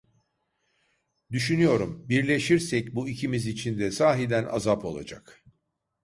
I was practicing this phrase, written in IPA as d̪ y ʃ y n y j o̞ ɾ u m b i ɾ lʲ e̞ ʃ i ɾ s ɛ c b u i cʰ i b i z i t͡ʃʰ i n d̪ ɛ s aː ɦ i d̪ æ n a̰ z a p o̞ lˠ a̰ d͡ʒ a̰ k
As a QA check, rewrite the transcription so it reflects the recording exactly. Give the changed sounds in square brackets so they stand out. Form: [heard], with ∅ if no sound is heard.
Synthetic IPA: d̪ y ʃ y n y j o̞ ɾ u m b i ɾ lʲ e̞ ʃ i ɾ s ɛ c b u i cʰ i [m] i z i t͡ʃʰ i n d̪ ɛ s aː ɦ i d̪ æ n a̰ z a p o̞ lˠ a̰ d͡ʒ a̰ k